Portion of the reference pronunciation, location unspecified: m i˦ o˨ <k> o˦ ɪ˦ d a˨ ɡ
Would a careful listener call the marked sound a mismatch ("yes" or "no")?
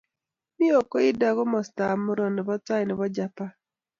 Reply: no